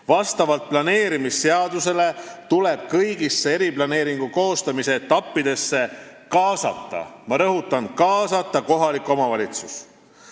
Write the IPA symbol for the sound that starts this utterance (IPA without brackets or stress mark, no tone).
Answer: v